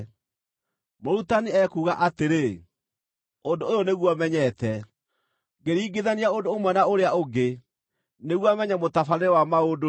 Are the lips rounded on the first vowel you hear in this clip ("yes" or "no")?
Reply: yes